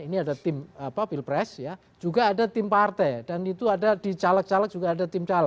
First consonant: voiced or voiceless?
voiced